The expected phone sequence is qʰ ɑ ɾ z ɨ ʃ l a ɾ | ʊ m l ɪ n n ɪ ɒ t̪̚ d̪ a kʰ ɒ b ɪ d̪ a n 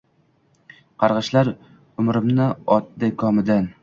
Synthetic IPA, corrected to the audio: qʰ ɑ ɾ ʁ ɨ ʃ l a ɾ | ʊ m ɾ ɪ m n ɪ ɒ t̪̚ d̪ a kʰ ɒ m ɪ d̪ a n